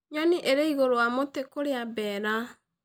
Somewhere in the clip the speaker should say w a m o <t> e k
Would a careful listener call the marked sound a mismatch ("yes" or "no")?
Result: no